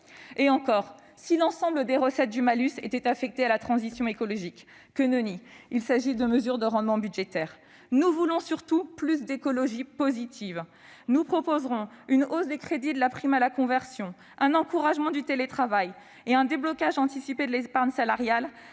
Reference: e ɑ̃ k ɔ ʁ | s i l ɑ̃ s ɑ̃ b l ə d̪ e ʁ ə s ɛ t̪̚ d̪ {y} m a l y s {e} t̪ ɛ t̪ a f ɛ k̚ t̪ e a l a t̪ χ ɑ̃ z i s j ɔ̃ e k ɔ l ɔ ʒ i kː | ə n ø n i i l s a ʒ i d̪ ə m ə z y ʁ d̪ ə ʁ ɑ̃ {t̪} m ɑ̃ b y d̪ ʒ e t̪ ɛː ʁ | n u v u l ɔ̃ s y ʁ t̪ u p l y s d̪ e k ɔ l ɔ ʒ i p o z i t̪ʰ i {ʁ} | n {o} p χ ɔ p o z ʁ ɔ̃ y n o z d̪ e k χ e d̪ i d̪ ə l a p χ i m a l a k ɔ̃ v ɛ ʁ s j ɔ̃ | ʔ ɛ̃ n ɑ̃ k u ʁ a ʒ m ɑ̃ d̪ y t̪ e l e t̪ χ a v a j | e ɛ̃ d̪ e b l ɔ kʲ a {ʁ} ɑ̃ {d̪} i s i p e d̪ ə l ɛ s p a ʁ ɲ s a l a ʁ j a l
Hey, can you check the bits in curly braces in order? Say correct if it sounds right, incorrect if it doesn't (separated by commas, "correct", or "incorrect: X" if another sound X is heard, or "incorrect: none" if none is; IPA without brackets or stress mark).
correct, correct, incorrect: d̪, incorrect: v, incorrect: u, incorrect: ʒ, incorrect: t̪